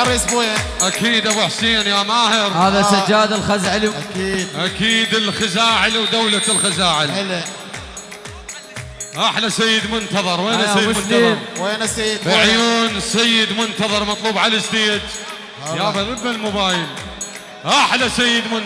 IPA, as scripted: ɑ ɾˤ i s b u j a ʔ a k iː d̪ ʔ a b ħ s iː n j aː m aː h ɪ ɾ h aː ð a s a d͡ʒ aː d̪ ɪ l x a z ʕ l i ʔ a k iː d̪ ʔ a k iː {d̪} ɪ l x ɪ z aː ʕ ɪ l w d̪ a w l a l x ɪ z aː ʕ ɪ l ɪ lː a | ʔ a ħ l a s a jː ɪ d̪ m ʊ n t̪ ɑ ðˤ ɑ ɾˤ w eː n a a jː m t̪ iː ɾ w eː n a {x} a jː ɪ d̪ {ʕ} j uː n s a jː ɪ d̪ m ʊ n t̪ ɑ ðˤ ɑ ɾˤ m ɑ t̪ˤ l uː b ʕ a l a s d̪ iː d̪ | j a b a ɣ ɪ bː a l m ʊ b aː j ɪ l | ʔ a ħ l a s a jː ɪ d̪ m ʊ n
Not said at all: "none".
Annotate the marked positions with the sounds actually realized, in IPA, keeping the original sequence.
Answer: d̪, s, ʕ

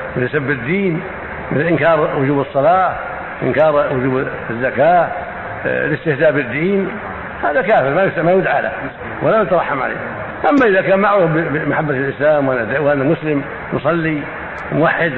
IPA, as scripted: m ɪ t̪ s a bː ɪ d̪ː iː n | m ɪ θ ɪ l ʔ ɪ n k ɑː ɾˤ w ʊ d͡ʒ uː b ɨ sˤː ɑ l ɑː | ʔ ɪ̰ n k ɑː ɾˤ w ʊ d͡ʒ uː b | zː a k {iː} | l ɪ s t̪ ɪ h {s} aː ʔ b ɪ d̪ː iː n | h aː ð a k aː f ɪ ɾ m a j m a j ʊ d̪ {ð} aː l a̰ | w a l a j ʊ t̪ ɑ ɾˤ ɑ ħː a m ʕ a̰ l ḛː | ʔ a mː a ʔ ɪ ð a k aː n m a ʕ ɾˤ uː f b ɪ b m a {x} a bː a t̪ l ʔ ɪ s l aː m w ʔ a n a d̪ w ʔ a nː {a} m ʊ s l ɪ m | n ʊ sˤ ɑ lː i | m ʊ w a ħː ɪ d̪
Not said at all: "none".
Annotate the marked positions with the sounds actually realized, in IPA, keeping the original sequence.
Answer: aː, z, ʕ, ħ, a

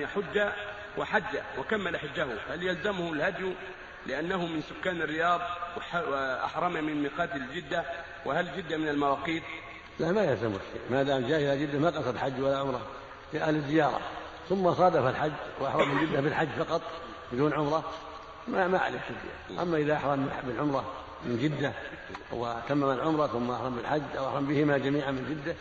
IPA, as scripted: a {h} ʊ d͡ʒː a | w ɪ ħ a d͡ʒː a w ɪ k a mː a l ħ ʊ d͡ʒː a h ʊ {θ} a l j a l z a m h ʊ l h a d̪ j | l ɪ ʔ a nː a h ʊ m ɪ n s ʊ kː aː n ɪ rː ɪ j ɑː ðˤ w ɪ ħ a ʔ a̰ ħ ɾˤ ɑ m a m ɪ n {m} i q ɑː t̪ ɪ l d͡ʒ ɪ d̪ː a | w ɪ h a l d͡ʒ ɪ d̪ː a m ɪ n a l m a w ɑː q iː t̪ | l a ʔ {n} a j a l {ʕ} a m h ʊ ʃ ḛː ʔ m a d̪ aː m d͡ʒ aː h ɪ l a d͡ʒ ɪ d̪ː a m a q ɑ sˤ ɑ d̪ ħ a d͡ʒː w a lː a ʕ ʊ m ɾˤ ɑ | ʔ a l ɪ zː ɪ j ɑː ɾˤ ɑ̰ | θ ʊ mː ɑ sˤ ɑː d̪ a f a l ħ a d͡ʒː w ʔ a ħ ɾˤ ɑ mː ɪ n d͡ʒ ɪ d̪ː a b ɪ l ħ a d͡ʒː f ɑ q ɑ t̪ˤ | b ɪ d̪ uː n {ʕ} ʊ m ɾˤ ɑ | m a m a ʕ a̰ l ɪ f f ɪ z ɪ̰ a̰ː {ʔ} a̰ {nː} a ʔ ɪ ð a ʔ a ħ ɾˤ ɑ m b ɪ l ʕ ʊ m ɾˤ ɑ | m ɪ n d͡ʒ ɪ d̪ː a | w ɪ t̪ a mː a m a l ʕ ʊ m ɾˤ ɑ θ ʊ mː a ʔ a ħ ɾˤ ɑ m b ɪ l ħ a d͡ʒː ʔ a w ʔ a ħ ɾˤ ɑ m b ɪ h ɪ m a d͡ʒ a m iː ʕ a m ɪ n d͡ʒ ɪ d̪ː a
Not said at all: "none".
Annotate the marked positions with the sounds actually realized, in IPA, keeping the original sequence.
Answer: ħ, h, m, m, z, ʕ, ʔ, mː

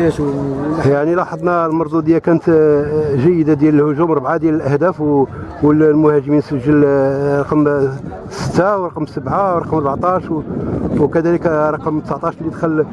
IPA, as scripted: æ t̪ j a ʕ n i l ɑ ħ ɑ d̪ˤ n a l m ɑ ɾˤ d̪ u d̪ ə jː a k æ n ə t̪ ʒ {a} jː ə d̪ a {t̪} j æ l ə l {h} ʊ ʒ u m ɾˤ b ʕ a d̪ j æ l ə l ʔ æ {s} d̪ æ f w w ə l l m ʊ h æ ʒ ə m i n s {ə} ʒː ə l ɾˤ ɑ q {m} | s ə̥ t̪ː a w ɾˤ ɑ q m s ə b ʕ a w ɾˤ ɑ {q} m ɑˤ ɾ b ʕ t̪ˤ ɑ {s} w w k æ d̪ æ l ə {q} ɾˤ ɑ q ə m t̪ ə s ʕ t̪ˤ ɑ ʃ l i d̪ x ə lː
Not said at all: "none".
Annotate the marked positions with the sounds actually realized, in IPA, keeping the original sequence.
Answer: æ, d̪, h, h, ə, m, q, ʃ, k

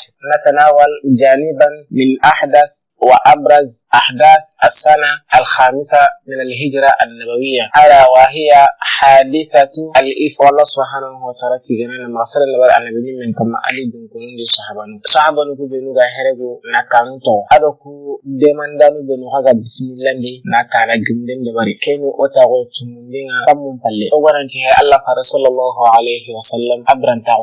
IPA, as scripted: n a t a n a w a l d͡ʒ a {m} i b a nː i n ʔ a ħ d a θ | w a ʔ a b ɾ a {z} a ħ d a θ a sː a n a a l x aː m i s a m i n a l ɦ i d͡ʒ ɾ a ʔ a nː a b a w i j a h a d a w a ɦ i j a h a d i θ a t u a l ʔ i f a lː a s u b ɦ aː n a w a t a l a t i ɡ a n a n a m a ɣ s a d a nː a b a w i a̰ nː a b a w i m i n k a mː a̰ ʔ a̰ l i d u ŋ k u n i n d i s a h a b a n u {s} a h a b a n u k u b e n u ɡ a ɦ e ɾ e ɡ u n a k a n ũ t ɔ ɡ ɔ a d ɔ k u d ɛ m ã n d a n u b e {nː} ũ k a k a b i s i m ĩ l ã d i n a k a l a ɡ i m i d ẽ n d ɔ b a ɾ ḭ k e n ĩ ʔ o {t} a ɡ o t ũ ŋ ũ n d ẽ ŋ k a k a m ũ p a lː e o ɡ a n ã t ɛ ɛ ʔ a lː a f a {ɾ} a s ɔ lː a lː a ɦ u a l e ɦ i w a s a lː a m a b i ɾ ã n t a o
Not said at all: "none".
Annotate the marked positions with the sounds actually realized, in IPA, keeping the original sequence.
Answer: n, z, s, n, t, ɾ

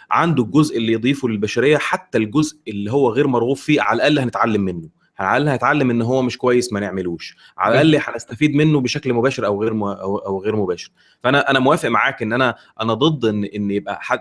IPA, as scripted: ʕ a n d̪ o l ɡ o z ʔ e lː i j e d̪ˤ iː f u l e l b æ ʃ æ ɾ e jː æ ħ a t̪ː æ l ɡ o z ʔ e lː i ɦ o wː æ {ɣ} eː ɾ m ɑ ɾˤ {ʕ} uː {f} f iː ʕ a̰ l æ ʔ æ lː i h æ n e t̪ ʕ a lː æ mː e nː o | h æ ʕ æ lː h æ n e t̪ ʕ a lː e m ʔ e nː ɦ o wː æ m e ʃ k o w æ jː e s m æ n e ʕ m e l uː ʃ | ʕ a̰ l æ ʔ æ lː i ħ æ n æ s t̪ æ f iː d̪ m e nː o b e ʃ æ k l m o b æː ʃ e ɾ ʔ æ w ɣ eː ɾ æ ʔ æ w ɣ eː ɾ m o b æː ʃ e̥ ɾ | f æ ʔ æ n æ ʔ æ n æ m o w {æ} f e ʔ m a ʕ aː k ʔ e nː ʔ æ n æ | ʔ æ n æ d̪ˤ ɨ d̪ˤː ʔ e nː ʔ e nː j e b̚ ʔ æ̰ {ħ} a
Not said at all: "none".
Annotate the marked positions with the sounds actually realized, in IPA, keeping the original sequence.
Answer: ɣ, ɣ, f, æː, ħ

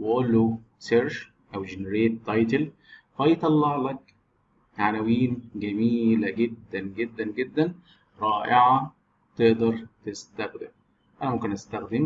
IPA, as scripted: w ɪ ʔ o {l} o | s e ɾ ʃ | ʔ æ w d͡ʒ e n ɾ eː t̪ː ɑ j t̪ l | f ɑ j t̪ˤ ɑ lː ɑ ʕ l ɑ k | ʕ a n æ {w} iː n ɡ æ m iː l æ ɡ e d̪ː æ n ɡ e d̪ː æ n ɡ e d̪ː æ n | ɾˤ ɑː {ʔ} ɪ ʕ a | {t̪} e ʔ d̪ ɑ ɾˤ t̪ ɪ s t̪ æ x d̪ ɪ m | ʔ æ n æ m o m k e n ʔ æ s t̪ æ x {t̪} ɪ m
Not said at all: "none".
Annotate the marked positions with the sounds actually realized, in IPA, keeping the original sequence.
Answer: lː, w, ʔ, t̪, d̪

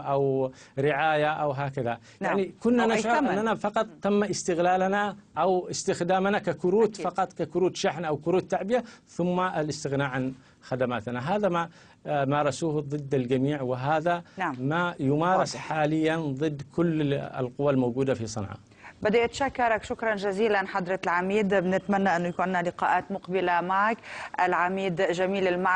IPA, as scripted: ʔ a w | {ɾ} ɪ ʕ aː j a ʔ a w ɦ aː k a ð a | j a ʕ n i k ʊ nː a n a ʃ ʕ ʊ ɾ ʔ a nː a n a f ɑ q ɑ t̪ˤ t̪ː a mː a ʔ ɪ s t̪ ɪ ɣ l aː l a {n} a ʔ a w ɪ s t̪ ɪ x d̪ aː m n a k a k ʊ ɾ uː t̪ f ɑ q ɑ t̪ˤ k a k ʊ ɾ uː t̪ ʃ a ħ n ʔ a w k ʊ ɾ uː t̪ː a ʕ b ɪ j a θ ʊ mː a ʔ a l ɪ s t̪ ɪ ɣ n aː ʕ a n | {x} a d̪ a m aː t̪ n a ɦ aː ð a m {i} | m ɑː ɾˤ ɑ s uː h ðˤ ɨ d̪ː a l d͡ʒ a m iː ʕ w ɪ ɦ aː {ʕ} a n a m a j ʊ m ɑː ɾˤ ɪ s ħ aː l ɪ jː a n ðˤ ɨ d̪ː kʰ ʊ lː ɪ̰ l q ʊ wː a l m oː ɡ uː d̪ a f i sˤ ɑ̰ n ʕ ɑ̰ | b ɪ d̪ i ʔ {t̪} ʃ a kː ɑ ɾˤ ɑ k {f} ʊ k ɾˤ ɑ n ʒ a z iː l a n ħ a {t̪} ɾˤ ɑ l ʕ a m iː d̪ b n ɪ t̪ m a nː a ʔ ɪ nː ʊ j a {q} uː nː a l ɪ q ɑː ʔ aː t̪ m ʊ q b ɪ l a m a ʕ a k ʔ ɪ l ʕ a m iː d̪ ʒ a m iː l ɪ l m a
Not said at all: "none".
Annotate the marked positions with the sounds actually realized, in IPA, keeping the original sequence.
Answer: ɾ, n, x, a, ð, t̪, ʃ, d̪, k

